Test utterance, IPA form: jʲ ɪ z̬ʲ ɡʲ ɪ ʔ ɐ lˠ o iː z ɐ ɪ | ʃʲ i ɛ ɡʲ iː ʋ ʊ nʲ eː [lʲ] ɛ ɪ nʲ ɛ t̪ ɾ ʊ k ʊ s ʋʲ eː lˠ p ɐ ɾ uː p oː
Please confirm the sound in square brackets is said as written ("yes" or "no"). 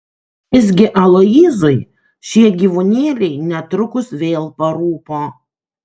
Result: yes